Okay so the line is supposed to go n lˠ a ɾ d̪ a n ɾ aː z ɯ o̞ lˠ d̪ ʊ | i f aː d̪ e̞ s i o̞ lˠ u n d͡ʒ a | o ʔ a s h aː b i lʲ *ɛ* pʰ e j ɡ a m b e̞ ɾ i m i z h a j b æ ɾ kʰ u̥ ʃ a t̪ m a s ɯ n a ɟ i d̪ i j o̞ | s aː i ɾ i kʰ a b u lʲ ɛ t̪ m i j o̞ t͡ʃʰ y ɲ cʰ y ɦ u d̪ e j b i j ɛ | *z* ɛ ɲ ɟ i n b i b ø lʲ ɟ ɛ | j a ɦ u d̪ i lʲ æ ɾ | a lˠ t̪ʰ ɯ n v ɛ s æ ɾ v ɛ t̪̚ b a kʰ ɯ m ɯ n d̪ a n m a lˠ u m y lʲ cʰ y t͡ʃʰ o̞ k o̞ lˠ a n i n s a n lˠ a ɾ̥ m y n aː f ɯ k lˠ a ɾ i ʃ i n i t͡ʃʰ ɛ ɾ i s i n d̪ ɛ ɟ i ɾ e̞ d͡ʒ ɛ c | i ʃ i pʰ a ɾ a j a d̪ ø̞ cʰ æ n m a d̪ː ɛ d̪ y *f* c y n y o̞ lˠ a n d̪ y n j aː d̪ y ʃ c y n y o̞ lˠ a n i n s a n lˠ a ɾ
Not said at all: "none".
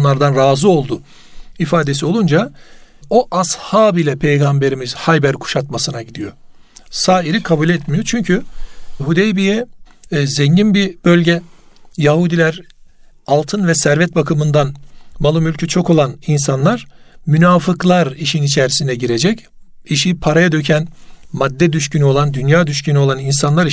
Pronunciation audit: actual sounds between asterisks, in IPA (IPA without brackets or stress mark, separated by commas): ɛ, z, ʃ